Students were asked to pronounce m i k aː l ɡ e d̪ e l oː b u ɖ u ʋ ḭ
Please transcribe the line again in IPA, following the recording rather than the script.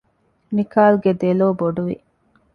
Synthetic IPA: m i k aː l ɡ e d̪ e l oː b o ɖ u ʋ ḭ